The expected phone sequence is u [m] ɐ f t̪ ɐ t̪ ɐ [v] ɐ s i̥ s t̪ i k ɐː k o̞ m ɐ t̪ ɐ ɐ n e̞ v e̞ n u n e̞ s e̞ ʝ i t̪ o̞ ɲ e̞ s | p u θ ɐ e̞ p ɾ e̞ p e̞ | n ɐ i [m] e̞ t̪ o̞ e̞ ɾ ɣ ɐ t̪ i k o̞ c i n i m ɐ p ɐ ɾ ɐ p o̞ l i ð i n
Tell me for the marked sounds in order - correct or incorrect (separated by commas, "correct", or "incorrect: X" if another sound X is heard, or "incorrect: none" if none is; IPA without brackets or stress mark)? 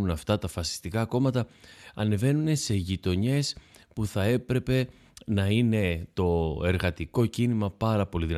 incorrect: n, incorrect: f, incorrect: n